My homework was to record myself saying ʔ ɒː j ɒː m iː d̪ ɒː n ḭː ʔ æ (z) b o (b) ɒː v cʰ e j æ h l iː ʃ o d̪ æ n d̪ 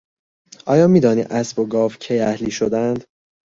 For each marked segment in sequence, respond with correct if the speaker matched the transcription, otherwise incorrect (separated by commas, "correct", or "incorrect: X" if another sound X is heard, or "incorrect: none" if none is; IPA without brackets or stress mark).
incorrect: s, incorrect: ɡ